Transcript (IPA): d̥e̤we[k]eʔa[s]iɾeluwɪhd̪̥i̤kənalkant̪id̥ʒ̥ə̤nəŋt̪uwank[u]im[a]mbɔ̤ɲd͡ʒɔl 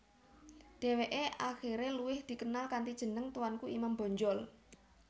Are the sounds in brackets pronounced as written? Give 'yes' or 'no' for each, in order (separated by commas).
no, no, yes, yes